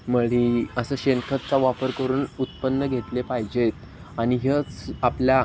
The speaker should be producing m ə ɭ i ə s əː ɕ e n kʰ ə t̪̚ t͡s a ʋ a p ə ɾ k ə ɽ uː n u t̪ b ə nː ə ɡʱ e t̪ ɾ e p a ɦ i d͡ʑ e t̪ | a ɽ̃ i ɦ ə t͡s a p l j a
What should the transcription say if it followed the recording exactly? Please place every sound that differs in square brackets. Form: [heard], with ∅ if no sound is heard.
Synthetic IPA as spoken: m ə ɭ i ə s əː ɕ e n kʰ ə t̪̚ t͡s a ʋ a p ə ɾ k ə [ɾ] uː n u t̪ [p] ə nː ə ɡʱ e t̪ [l] e p a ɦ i d͡ʑ e t̪ | a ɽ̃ i ɦ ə t͡s a p l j a